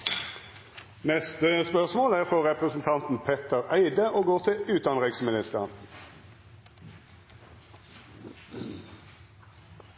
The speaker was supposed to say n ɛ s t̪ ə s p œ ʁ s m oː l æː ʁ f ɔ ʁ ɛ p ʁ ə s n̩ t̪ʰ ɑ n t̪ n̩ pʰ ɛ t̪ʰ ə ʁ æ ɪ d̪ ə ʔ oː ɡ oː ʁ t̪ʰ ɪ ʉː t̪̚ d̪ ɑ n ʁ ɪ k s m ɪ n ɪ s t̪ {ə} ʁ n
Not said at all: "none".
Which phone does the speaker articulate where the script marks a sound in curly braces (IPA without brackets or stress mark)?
ə